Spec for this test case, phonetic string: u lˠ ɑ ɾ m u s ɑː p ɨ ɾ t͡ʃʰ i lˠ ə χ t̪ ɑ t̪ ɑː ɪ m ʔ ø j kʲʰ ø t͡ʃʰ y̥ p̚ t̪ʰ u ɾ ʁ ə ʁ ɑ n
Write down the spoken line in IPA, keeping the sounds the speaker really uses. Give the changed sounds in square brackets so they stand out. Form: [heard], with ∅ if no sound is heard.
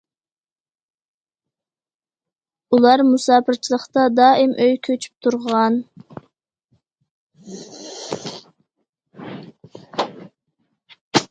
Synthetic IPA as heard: u lˠ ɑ ɾ m u s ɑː p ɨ ɾ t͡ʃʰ i lˠ ə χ t̪ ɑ [d̪] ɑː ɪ m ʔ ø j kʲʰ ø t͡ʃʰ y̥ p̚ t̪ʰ u ɾ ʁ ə ʁ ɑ n